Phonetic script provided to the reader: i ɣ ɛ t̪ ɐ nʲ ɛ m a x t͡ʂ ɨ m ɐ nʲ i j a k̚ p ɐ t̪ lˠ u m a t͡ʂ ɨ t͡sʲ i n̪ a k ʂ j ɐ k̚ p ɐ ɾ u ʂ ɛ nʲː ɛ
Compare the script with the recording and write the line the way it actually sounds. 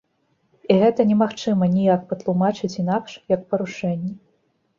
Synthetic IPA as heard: i ɣ ɛ t̪ ɐ nʲ ɛ m a x t͡ʂ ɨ m ɐ nʲ i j a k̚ p ɐ t̪ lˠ u m a t͡ʂ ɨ t͡sʲ i n̪ a k ʂ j ɐ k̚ p ɐ ɾ u ʂ ɛ nʲː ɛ

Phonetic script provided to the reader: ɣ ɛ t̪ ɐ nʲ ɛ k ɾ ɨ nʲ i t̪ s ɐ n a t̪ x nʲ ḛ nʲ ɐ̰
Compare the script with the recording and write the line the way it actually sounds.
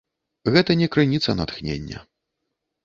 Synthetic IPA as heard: ɣ ɛ t̪ ɐ nʲ ɛ k ɾ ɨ nʲ i t̪ s ɐ n a t̪ x nʲ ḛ nʲː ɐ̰

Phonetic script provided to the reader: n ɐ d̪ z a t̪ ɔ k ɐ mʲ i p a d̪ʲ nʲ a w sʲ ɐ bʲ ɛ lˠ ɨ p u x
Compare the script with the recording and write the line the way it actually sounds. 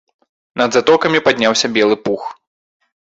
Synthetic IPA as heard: n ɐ d̪ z a t̪ ɔ k ɐ mʲ i p a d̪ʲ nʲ a w sʲ ɐ bʲ ɛ lˠ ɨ p u x

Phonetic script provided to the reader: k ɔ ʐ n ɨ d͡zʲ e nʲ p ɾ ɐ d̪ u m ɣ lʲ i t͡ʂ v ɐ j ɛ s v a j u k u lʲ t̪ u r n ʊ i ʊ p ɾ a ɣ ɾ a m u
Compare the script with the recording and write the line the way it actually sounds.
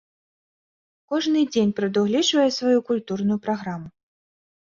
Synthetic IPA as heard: k ɔ ʐ n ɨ d͡zʲ e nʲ p ɾ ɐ d̪ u ɣ lʲ i t͡ʂ v ɐ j ɛ s v a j u k u lʲ t̪ u r n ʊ j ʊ p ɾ a ɣ ɾ a m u

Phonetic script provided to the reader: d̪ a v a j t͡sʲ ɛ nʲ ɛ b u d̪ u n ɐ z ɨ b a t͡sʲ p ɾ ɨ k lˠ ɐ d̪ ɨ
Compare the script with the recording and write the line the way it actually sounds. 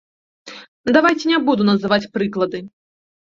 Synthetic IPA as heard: d̪ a v a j t͡sʲ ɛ nʲ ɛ b u d̪ u n ɐ z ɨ v a t͡sʲ p ɾ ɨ k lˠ ɐ d̪ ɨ

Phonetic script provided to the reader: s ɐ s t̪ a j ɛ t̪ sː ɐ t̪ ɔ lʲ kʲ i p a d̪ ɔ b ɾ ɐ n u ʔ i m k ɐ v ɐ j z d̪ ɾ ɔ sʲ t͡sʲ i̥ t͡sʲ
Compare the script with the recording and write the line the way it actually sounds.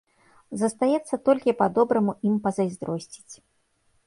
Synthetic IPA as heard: z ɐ s t̪ a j ɛ t̪ sː ɐ t̪ ɔ lʲ kʲ i p a d̪ ɔ b ɾ ɐ m u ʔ i m p ɐ z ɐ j z d̪ ɾ ɔ sʲ t͡sʲ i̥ t͡sʲ

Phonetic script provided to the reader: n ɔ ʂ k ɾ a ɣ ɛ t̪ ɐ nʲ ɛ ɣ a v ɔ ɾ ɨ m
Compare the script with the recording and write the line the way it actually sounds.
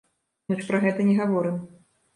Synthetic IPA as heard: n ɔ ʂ p ɾ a ɣ ɛ t̪ ɐ nʲ ɛ ɣ a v ɔ ɾ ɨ m

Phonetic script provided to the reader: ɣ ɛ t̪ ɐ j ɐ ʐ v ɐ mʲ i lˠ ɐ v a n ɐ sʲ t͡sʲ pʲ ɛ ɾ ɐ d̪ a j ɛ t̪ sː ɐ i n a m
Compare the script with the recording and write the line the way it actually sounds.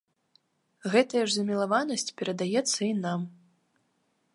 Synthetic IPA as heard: ɣ ɛ t̪ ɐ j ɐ ʐ z ɐ mʲ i lˠ a v a n ɐ sʲ t͡sʲ pʲ ɛ ɾ ɐ d̪ a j ɛ t̪ sː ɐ i n a m

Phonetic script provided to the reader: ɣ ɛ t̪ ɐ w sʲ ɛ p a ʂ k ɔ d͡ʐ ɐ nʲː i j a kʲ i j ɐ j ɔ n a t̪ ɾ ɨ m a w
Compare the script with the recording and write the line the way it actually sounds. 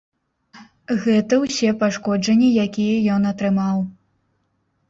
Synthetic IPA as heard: ɣ ɛ t̪ ɐ w sʲ ɛ p a ʂ k ɔ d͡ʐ ɐ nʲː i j a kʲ i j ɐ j ɔ n ɐ t̪ ɾ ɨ m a w

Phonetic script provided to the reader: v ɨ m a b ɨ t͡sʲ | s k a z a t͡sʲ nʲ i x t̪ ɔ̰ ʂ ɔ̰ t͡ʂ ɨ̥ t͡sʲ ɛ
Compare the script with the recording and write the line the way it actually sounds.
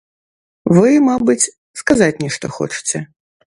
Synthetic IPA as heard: v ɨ m a b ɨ t͡sʲ | s k a z a t͡sʲ nʲ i ʂ t̪ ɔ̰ x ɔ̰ t͡ʂ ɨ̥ t͡sʲ ɛ

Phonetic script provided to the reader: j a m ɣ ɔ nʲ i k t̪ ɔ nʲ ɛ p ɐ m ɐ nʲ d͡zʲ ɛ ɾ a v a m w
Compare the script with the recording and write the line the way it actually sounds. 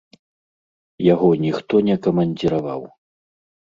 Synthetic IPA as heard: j a ɣ ɔ nʲ i x t̪ ɔ nʲ ɛ k ɐ m ɐ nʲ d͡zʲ i ɾ a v a w

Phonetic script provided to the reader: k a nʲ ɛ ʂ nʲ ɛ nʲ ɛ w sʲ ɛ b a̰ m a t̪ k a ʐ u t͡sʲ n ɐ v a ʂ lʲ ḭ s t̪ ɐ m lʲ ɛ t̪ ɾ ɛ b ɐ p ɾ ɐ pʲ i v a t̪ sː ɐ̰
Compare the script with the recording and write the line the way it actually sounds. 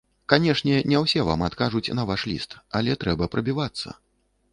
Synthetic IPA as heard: k a nʲ ɛ ʂ nʲ ɛ nʲ ɛ w sʲ ɛ v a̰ m a t̪ k a ʐ u t͡sʲ n ɐ v a ʂ lʲ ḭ s t̪ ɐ lʲ ɛ t̪ ɾ ɛ b ɐ p ɾ ɐ bʲ i v a t̪ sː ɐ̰

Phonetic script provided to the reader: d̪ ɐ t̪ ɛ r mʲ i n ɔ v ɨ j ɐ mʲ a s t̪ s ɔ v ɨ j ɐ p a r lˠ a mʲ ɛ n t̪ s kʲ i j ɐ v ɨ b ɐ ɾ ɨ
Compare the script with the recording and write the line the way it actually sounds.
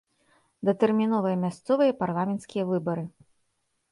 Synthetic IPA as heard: d̪ ɐ t̪ ɛ r mʲ i n ɔ v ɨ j ɐ mʲ a s t̪ s ɔ v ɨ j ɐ p a r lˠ a mʲ ɛ n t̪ s kʲ i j ɐ v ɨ b ɐ ɾ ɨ

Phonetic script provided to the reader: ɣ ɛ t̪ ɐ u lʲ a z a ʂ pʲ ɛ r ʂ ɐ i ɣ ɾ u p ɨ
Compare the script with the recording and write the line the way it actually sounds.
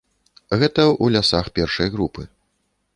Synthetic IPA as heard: ɣ ɛ t̪ ɐ u lʲ a s a x pʲ ɛ r ʂ ɐ j ɣ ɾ u p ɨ

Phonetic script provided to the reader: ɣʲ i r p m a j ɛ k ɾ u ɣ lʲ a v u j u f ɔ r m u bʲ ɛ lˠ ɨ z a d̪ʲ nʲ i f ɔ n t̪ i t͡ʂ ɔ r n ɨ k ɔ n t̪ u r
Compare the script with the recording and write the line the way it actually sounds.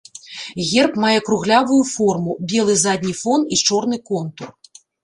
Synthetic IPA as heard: ɣʲ ɛ r p m a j ɛ k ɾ u ɣ lʲ a v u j u f ɔ r m u bʲ ɛ lˠ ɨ z a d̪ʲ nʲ i f ɔ n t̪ i t͡ʂ ɔ r n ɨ k ɔ n t̪ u r

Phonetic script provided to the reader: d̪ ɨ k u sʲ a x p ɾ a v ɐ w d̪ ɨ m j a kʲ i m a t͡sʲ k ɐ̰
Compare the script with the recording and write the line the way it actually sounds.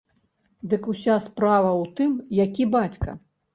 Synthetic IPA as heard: d̪ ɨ k u sʲ a s p ɾ a v ɐ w t̪ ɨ m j a kʲ i b a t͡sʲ k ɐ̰

